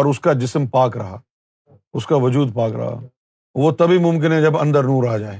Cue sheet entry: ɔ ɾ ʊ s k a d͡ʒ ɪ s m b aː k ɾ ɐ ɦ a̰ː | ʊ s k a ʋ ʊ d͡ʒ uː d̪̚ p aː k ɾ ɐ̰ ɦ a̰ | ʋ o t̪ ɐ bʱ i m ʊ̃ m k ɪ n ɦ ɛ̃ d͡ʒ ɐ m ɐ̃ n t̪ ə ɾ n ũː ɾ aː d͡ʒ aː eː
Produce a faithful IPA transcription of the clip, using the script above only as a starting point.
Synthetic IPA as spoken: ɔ ɾ ʊ s k a d͡ʒ ɪ s m p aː k ɾ ɐ ɦ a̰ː | ʊ s k a ʋ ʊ d͡ʒ uː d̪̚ p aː k ɾ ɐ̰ ɦ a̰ | ʋ o t̪ ɐ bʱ i m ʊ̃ m k ɪ n ɦ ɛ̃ d͡ʒ ɐ b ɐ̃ n d̪ ə ɾ n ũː ɾ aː d͡ʒ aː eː